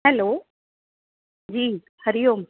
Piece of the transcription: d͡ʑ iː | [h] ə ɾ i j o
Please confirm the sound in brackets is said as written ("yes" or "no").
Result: yes